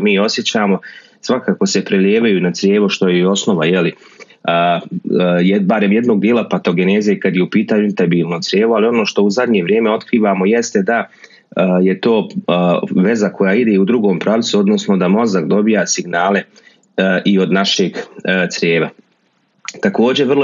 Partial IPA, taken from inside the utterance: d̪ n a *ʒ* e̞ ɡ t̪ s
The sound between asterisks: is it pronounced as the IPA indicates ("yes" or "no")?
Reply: no